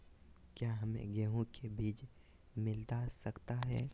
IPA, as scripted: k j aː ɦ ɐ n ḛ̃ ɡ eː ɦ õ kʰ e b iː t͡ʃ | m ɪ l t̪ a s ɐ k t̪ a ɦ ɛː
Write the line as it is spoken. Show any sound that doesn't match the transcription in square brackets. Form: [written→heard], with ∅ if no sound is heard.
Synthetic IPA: k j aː ɦ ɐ [n→m] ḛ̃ ɡ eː ɦ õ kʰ e b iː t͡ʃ | m ɪ l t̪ a s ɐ k t̪ a ɦ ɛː